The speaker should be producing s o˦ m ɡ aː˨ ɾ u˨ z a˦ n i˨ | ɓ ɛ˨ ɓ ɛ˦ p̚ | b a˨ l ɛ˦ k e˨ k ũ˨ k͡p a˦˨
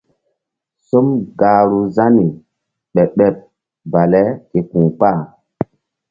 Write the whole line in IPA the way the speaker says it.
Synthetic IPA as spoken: s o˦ m ɡ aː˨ ɾ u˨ z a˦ n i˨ | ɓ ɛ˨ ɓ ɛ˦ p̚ | b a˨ l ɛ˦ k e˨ k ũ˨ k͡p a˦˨